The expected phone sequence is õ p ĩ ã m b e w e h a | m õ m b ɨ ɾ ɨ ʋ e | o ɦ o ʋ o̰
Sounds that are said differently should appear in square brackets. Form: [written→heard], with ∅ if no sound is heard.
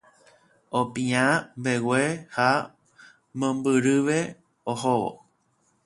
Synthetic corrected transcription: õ p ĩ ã m b e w e h a | m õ m b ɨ ɾ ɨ ʋ e | o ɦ o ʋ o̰